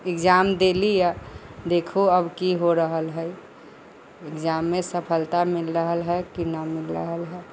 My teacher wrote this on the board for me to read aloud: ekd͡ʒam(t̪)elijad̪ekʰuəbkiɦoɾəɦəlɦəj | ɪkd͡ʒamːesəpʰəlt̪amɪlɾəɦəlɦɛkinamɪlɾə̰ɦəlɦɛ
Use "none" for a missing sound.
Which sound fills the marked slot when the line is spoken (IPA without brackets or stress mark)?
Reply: d̪